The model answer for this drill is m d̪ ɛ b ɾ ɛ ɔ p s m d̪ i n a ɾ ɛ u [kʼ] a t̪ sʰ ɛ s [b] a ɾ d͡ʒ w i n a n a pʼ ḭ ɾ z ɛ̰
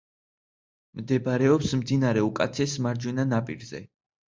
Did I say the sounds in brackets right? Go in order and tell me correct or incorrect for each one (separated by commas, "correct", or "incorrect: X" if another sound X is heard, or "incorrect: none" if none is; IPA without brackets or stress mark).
correct, incorrect: m